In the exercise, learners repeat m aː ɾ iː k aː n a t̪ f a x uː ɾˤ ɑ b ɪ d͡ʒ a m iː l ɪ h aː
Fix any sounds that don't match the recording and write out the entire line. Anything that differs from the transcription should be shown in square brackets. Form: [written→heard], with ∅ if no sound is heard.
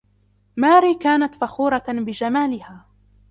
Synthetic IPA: m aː ɾ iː k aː n a t̪ f a x uː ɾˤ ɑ b ɪ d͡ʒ a m [iː→aː] l ɪ h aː